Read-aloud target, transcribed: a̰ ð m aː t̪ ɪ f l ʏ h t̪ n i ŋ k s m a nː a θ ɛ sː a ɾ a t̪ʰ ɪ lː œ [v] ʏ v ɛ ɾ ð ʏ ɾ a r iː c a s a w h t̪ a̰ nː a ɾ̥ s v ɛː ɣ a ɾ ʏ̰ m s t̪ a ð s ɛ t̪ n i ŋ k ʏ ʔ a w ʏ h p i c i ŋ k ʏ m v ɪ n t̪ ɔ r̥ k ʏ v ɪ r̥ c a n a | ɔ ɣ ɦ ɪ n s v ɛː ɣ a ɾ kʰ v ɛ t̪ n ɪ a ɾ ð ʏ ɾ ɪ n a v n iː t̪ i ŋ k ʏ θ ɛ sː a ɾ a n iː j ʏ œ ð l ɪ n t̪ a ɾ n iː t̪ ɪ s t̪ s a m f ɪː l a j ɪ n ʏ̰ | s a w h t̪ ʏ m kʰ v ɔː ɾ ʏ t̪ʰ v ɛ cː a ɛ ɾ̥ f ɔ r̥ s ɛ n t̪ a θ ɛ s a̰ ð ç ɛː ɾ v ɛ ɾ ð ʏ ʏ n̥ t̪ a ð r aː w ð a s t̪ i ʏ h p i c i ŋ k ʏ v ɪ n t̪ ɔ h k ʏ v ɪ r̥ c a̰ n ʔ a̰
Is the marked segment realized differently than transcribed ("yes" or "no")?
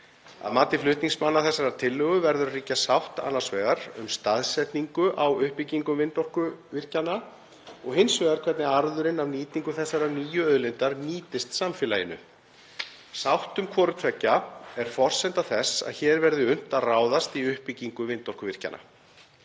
yes